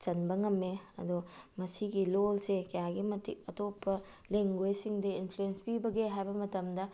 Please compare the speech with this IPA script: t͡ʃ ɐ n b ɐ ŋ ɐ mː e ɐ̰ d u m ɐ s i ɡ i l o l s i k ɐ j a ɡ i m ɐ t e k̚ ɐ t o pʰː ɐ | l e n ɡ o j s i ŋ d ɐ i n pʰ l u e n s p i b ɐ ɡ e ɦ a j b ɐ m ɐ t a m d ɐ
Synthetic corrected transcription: t͡ʃ ɐ n b ɐ ŋ ɐ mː e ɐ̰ d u m ɐ s i ɡ i l o l s e k ɐ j a ɡ i m ɐ t i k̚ ɐ t o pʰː ɐ | l e ŋ ɡ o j s i ŋ d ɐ i n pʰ l u e n s p i b ɐ ɡ e ɦ a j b ɐ m ɐ t ɐ m d ɐ